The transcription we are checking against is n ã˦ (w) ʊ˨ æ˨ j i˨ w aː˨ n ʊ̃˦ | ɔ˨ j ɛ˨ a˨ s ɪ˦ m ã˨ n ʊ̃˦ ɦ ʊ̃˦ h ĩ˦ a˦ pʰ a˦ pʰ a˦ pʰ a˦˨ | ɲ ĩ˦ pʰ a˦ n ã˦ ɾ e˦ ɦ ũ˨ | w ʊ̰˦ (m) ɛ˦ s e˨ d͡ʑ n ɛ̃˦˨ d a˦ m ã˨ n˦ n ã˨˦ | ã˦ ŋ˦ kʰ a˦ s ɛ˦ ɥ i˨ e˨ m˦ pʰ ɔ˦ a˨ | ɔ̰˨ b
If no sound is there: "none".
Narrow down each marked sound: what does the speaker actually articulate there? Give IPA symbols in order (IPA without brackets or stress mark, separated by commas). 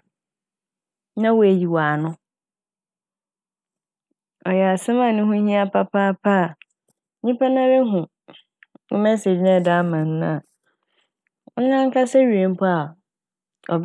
w, m